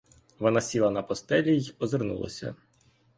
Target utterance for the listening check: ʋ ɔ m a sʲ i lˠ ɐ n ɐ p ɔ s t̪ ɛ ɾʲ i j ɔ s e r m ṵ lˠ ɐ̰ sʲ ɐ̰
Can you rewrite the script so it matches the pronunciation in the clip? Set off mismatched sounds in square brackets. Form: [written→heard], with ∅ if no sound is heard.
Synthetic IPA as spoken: ʋ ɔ [m→n] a sʲ i lˠ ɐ n ɐ p ɔ s t̪ ɛ [ɾʲ→lʲ] i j ɔ [s→z] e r [m→n] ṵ lˠ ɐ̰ sʲ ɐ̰